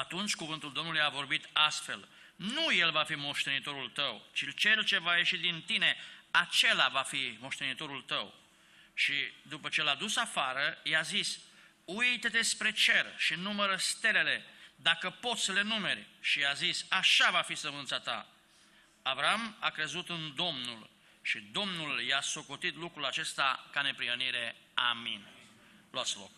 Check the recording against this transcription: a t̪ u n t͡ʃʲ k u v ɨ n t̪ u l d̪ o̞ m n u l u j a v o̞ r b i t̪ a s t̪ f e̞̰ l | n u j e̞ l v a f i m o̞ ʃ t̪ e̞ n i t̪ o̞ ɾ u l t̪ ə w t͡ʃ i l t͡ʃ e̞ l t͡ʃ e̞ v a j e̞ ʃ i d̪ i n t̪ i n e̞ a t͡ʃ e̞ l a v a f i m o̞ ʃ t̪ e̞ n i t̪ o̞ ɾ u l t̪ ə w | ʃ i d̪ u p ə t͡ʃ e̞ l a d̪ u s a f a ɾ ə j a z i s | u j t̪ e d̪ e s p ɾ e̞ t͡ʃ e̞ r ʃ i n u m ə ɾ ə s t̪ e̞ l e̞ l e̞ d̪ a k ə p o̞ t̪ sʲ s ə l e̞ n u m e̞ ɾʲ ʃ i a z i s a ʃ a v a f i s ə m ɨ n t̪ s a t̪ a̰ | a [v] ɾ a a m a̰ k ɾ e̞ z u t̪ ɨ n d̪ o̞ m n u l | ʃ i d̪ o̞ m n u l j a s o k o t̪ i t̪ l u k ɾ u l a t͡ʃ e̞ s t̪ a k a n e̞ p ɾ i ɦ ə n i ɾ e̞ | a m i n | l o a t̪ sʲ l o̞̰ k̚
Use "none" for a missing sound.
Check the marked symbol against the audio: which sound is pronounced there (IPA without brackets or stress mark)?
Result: v